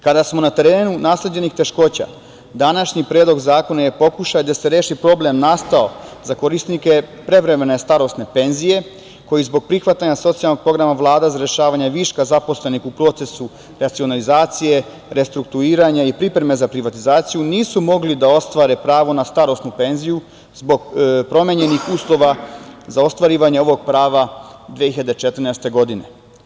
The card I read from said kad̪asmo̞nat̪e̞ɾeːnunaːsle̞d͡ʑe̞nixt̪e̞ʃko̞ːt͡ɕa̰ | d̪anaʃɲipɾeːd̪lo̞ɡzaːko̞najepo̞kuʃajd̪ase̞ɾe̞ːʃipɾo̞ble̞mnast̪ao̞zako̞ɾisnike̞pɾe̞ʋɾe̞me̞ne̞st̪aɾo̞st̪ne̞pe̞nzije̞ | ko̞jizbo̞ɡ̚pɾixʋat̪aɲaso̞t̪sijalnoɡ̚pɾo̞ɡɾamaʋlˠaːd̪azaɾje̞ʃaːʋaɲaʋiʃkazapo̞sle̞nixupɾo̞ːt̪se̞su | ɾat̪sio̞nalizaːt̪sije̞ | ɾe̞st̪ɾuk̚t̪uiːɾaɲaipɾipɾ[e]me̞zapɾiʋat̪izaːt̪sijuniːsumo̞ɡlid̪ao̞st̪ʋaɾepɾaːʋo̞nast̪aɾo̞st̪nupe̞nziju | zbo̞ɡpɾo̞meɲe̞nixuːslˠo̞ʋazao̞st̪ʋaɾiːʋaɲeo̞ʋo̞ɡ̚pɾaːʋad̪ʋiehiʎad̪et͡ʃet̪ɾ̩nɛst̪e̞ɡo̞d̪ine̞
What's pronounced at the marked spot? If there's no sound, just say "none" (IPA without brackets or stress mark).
e